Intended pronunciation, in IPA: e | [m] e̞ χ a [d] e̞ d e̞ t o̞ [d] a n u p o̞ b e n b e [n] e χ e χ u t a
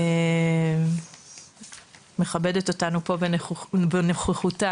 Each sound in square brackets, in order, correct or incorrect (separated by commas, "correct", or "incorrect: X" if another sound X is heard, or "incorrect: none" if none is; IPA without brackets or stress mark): correct, incorrect: b, incorrect: t, correct